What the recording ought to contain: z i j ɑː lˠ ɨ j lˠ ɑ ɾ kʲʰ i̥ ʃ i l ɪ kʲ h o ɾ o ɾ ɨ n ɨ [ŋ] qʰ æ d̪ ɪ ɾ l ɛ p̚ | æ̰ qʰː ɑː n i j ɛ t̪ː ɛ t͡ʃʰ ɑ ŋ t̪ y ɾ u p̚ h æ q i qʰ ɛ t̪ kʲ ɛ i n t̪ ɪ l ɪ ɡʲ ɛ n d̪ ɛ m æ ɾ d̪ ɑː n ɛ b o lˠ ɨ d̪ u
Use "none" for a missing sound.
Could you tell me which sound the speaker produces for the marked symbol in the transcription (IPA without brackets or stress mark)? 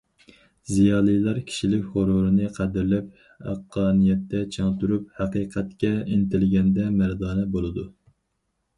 none